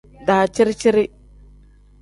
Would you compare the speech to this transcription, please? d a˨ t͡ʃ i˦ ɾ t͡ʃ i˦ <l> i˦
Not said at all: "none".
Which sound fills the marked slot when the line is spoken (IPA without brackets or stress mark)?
ɾ